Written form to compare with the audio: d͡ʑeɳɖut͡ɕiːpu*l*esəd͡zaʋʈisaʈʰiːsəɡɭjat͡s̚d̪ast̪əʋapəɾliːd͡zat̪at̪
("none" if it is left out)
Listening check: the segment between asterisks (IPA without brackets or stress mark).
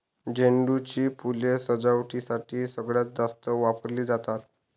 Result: l